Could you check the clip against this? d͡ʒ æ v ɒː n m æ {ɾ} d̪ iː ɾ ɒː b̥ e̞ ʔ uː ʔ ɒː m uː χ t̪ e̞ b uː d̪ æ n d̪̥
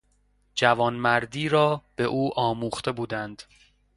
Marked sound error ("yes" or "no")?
no